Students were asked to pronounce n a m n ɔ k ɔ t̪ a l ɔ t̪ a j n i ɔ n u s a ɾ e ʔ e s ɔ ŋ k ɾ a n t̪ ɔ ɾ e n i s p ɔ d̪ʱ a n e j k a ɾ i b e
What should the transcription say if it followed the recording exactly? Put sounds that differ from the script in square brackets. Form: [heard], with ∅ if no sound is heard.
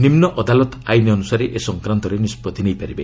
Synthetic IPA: n [i] m n ɔ [ʔ] ɔ [d̪] a l ɔ t̪ a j n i ɔ n u s a ɾ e ʔ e s ɔ ŋ k ɾ a n t̪ ɔ ɾ e n i s p ɔ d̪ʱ [i] n e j [p] a ɾ i b e